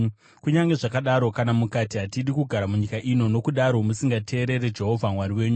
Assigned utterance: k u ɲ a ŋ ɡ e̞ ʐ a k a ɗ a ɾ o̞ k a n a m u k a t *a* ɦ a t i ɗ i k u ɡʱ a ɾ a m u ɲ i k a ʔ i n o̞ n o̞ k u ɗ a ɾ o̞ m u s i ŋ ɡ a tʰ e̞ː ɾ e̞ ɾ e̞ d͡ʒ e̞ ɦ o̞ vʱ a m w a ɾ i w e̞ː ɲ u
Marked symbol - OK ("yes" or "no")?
no